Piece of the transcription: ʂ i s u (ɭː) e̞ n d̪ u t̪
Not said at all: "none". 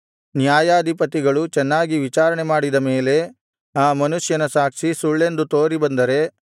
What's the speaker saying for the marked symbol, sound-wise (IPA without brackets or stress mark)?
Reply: ɭː